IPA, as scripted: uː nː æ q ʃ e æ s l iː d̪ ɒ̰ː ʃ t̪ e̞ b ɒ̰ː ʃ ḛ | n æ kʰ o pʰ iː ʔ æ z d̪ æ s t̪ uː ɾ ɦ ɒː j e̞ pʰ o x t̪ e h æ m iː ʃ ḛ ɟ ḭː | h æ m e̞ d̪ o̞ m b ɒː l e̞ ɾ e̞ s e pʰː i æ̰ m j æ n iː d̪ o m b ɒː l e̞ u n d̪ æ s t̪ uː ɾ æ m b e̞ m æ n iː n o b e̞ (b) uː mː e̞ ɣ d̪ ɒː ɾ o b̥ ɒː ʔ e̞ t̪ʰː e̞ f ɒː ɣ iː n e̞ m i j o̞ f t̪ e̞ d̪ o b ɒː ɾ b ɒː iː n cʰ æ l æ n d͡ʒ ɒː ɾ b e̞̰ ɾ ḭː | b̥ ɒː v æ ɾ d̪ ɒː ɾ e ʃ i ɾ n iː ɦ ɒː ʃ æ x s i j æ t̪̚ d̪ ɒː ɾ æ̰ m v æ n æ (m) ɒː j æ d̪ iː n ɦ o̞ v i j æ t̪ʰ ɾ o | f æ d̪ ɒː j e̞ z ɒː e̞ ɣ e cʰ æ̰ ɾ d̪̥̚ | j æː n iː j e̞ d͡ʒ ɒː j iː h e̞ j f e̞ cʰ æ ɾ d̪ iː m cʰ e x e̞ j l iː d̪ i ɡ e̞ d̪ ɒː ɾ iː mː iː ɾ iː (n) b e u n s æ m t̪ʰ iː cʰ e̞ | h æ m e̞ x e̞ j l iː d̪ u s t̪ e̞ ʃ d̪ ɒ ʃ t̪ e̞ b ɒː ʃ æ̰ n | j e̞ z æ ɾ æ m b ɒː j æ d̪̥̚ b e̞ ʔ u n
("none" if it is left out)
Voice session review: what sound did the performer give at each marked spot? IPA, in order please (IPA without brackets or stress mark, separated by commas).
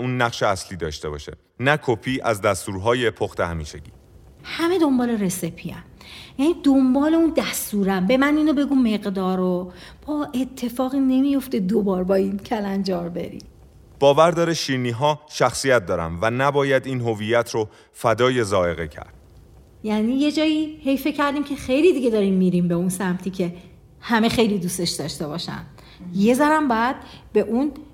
ɡ, b, m